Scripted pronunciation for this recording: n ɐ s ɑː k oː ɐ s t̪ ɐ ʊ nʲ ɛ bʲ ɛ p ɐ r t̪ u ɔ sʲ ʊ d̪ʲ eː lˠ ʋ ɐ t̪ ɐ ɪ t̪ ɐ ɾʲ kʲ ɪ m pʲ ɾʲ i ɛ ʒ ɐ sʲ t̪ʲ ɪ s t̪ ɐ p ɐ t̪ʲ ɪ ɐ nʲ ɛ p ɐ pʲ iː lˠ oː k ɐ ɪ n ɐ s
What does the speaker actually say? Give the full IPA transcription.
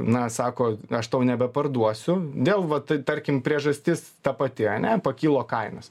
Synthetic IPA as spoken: n ɐ s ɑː k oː ɐ ʃ t̪ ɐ ʊ nʲ ɛ bʲ ɛ p ɐ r d̪ u ɔ sʲ ʊ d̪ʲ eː lˠ ʋ ɐ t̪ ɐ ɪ t̪ ɐ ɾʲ kʲ ɪ m pʲ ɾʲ i ɛ ʒ ɐ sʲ t̪ʲ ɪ s t̪ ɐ p ɐ t̪ʲ ɪ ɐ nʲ ɛ p ɐ kʲ iː lˠ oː k ɐ ɪ n ɐ s